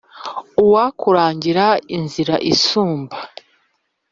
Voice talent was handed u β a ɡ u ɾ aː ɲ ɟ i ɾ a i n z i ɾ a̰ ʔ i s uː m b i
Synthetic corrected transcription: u w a k u ɾ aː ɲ ɟ i ɾ a i n z i ɾ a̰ ʔ i s uː m b a